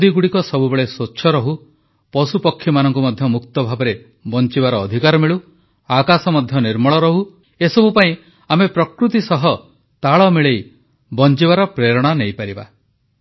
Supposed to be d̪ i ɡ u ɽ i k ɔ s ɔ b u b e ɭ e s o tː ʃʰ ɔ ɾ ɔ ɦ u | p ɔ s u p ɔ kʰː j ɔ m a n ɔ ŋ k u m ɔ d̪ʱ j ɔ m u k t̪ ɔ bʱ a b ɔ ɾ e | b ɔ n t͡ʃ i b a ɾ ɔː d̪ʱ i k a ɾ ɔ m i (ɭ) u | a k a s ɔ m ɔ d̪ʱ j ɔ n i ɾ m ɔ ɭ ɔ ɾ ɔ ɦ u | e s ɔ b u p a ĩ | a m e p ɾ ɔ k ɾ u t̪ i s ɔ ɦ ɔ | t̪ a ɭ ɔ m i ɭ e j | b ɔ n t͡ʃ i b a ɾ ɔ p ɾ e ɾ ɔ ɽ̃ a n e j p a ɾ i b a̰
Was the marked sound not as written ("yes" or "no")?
no